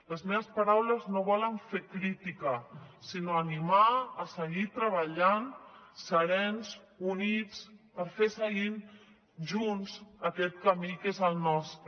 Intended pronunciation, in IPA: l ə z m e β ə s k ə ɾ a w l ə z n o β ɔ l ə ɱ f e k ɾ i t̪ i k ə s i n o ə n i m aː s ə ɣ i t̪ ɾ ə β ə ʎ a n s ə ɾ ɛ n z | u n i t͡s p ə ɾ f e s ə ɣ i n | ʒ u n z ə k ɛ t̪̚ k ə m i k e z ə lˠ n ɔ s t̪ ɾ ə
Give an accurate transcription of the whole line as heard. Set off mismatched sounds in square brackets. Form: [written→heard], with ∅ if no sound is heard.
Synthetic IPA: l ə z m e β ə s [k→p] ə ɾ a w l ə z n o β ɔ l ə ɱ f e k ɾ i t̪ i k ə s i n o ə n i m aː s ə ɣ i t̪ ɾ ə β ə ʎ a n s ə ɾ ɛ n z | u n i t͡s p ə ɾ f e s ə ɣ i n | ʒ u n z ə k ɛ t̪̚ k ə m i k e z ə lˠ n ɔ s t̪ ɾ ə